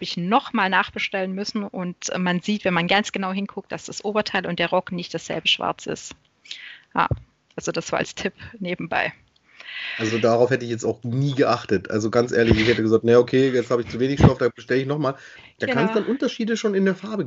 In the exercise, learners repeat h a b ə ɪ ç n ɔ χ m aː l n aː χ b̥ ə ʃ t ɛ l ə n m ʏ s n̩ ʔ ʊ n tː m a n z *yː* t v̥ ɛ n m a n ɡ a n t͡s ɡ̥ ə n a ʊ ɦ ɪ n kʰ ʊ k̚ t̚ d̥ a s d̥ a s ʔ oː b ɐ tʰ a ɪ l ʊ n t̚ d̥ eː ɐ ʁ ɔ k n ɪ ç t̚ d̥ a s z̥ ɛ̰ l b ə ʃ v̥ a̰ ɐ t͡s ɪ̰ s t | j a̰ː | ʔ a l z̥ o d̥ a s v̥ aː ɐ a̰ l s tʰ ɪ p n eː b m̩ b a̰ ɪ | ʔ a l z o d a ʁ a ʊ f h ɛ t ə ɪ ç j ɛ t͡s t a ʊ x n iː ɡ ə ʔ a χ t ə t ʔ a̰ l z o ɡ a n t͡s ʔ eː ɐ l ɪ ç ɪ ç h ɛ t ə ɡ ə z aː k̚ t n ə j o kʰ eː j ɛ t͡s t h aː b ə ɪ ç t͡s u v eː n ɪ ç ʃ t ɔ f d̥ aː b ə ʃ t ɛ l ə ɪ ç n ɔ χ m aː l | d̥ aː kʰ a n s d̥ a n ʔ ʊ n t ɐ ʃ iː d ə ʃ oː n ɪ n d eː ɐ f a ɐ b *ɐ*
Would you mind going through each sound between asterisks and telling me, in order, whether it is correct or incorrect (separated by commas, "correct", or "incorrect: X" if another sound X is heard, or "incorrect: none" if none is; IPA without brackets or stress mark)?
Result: incorrect: iː, incorrect: ə